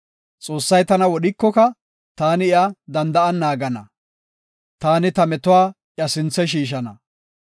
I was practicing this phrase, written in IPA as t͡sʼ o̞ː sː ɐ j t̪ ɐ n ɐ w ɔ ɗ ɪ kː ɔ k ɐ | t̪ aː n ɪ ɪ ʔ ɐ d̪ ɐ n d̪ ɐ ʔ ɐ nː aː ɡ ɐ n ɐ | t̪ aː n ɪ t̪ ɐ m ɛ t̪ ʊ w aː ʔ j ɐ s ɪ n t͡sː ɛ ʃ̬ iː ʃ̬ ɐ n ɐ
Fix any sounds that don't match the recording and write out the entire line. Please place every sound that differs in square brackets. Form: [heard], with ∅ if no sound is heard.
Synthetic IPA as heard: t͡sʼ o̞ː sː ɐ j t̪ ɐ n ɐ w ɔ ɗ ɪ kː ɔ k ɐ | t̪ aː n ɪ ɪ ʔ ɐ d̪ ɐ n d̪ ɐ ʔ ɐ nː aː ɡ ɐ n ɐ | t̪ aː n ɪ t̪ ɐ m ɛ t̪ ʊ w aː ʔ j ɐ s ɪ n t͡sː ɛ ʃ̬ iː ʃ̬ ɐ n ɐ